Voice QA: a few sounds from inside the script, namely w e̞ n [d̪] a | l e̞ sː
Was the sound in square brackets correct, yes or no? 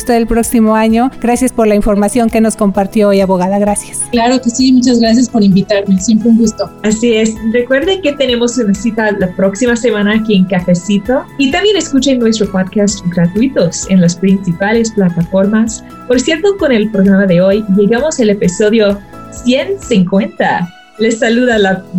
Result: no